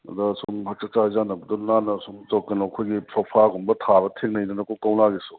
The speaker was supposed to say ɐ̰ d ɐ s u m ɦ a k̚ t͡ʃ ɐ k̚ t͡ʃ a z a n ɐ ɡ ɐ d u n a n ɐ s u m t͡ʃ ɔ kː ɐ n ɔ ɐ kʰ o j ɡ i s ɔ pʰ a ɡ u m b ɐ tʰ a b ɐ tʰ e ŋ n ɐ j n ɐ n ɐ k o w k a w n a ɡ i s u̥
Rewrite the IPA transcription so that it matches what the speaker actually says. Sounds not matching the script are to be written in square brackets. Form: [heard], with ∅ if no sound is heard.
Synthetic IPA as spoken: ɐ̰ d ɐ s u m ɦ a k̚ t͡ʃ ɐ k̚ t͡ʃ a z a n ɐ [b] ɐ d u n a n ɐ s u m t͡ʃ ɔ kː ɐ n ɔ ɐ kʰ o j ɡ i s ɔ pʰ a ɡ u m b ɐ tʰ a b ɐ tʰ e ŋ n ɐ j n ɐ n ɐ k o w k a w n a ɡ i s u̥

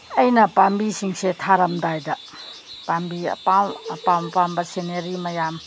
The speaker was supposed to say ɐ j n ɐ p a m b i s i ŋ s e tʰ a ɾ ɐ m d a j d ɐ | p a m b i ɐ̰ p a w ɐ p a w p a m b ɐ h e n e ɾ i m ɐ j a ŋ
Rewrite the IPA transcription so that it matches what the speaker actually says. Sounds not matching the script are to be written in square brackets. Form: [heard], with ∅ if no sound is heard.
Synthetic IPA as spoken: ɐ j n ɐ p a m b i s i ŋ s e tʰ a ɾ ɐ m d a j d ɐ | p a m b i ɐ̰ p a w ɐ p a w p a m b ɐ [s] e n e ɾ i m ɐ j a [m]

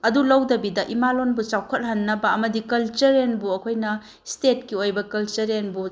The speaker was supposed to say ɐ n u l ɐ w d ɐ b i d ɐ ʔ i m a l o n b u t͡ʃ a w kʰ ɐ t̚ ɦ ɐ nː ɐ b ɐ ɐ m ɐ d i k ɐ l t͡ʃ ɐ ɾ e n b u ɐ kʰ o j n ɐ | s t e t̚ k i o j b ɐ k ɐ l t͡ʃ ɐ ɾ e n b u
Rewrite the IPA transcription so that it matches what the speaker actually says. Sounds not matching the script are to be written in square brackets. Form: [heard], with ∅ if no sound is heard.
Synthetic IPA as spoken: ɐ [d] u l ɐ w d ɐ b i d ɐ ʔ i m a l o n b u t͡ʃ a w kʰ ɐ t̚ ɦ ɐ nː ɐ b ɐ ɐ m ɐ d i k ɐ l t͡ʃ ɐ ɾ e n b u ɐ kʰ o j n ɐ | s t e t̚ k i o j b ɐ k ɐ l t͡ʃ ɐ ɾ e n b u

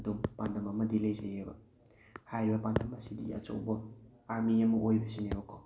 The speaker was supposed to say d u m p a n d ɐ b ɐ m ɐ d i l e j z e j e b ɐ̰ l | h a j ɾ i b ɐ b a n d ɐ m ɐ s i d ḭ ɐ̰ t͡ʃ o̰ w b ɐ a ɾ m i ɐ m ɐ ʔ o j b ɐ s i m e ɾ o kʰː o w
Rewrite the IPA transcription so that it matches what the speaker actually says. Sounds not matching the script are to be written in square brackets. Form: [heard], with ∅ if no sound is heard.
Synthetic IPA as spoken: d u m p a n d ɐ [m] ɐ m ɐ d i l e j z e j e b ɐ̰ [∅] | h a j ɾ i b ɐ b a n d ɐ m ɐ s i d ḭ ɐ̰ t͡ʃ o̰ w b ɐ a ɾ m i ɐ m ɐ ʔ o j b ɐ s i [n] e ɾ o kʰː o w

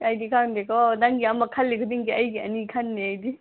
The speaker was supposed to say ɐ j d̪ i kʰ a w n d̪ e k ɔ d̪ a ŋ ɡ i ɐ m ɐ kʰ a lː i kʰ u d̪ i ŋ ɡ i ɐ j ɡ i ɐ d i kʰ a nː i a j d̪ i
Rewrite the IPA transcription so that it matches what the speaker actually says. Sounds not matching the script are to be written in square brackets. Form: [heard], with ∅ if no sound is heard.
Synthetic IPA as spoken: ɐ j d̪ i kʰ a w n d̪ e k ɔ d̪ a ŋ ɡ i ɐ m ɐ kʰ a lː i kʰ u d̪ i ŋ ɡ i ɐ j ɡ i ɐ [n] i kʰ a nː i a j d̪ i

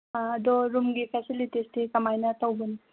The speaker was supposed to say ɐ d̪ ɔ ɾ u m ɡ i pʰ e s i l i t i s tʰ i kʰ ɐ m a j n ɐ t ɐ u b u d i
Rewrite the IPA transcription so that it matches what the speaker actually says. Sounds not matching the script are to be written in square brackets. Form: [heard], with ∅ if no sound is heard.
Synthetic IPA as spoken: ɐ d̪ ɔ ɾ u m ɡ i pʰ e s i l i t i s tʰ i [k] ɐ m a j n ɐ t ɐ [w] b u [n] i

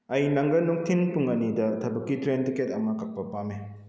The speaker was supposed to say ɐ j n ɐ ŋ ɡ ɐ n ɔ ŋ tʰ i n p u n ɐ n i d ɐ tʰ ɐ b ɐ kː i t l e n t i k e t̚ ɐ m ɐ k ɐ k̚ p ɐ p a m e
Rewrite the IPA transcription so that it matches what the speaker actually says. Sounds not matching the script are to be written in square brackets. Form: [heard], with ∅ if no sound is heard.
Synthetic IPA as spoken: ɐ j n ɐ ŋ ɡ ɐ n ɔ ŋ tʰ i n p u [ŋ] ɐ n i d ɐ tʰ ɐ b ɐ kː i t [ɾ] e n t i k e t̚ ɐ m ɐ k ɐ k̚ p ɐ p a m e

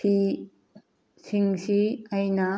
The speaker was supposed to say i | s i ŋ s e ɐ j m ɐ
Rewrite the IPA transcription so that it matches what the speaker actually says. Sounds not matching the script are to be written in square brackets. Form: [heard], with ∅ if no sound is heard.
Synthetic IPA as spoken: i | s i ŋ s [i] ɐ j [n] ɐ

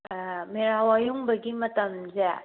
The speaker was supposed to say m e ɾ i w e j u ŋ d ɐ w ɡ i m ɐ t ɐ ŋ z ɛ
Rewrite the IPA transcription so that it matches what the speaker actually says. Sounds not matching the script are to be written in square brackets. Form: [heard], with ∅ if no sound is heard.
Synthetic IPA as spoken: m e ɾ [a] w [a] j u ŋ [b] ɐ [∅] ɡ i m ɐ t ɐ [m] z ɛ

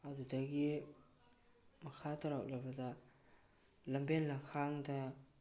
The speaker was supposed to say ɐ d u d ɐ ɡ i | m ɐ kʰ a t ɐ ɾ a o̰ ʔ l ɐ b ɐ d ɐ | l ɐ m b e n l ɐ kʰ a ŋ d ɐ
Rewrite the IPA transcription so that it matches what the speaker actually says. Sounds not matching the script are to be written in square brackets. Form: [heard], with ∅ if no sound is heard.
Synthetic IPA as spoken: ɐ d u d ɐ ɡ i | m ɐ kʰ a t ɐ ɾ a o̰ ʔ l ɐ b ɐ d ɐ | l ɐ m b e n l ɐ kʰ a ŋ d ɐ

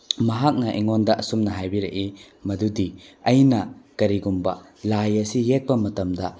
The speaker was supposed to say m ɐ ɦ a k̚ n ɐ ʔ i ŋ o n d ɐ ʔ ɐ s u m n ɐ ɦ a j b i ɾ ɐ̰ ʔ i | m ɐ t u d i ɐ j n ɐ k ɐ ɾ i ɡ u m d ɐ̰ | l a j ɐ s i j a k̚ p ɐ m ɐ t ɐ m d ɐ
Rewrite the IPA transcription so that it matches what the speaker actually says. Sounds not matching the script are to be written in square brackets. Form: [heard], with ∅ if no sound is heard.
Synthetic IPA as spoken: m ɐ ɦ a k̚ n ɐ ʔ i ŋ o n d ɐ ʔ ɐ s u m n ɐ ɦ a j b i ɾ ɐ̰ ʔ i | m ɐ [d] u d i ɐ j n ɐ k ɐ ɾ i ɡ u m [b] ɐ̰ | l a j ɐ s i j [e] k̚ p ɐ m ɐ t ɐ m d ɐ

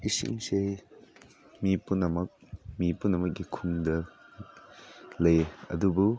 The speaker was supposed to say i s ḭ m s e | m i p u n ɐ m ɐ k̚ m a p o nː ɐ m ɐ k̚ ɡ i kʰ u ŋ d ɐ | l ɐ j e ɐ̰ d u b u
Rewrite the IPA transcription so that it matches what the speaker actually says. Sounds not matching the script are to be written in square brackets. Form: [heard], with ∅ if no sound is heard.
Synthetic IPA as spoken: i s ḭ [ŋ] s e | m i p u n ɐ m ɐ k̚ m [i] p [u] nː ɐ m ɐ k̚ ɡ i kʰ u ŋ d ɐ | l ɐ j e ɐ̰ d u b u

